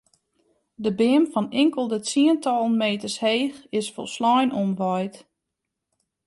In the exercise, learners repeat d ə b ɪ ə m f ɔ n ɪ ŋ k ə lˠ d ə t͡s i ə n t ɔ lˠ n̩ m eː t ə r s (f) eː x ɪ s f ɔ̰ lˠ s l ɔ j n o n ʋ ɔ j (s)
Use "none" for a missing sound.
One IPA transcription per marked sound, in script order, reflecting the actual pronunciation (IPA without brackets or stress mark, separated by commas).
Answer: h, t